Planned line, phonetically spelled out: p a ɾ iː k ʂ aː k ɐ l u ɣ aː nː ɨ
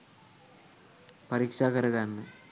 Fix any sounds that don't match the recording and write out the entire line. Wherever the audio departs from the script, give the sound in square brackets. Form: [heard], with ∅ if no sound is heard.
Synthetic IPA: p [ɐ] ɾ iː k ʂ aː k ɐ [ɾ] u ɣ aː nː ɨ